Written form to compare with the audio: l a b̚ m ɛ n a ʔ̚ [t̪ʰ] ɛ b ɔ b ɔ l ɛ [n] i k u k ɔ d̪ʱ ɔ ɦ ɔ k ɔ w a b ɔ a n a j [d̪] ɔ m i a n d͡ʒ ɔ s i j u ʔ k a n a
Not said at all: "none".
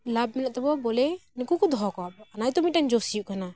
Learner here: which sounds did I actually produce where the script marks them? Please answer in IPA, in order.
t̪, n, t̪

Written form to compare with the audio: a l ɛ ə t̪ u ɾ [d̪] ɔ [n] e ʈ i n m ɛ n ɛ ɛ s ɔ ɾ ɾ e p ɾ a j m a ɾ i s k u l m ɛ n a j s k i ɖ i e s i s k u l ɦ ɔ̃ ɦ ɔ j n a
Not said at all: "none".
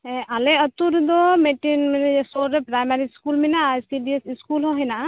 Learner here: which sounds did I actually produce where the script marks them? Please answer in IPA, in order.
d̪, m

